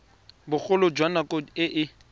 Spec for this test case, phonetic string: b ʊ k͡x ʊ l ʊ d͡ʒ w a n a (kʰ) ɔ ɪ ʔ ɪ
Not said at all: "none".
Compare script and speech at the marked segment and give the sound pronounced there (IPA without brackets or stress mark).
k